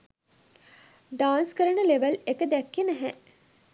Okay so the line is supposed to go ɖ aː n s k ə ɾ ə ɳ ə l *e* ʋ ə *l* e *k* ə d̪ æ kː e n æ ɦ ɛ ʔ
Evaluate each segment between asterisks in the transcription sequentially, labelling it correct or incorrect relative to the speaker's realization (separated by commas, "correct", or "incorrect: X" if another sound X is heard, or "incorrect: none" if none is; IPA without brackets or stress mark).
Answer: correct, correct, correct